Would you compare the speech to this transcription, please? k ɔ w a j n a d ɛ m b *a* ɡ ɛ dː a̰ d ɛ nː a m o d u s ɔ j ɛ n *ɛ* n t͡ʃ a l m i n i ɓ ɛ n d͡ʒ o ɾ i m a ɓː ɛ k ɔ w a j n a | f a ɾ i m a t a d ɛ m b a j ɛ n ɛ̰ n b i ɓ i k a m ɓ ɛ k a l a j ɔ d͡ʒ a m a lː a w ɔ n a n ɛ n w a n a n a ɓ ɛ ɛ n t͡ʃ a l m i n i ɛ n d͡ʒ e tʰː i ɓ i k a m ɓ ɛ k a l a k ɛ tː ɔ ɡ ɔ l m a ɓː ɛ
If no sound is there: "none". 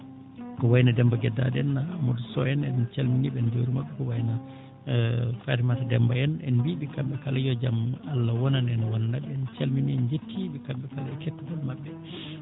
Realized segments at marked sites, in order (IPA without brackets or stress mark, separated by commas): a, ɛ